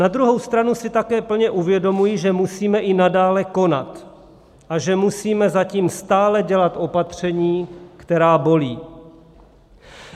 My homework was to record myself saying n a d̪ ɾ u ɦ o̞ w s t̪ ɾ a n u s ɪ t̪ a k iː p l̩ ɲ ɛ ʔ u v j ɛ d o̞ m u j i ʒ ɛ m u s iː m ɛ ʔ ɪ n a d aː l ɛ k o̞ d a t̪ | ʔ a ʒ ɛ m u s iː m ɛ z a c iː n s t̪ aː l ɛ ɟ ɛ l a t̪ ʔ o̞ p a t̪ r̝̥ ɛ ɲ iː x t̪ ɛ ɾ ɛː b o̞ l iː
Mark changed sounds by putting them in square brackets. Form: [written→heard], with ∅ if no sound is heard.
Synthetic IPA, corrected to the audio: n a d̪ ɾ u ɦ o̞ w s t̪ ɾ a n u s ɪ t̪ a k [iː→ɛː] p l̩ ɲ ɛ ʔ u v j ɛ d o̞ m u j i ʒ ɛ m u s iː m ɛ ʔ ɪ n a d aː l ɛ k o̞ [d→n] a t̪ | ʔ a ʒ ɛ m u s iː m ɛ z a c iː [n→m] s t̪ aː l ɛ ɟ ɛ l a t̪ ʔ o̞ p a t̪ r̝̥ ɛ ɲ iː [x→k] t̪ ɛ ɾ [ɛː→aː] b o̞ l iː